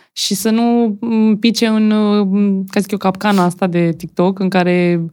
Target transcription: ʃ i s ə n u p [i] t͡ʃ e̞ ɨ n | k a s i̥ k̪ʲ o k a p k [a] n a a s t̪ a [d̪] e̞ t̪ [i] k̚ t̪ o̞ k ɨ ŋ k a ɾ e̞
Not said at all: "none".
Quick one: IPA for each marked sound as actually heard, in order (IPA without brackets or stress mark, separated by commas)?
i, a, d̪, i